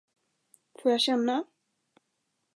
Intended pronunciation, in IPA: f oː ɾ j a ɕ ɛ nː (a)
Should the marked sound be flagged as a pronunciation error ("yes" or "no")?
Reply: no